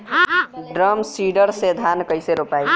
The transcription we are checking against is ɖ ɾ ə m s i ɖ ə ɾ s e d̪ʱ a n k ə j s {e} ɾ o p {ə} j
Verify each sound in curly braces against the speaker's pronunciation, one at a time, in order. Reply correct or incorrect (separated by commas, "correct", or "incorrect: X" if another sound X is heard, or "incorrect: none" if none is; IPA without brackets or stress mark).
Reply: correct, incorrect: a